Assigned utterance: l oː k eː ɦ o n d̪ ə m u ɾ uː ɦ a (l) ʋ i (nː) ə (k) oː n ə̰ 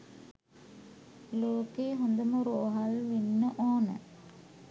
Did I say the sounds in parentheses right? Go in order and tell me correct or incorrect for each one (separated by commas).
correct, correct, incorrect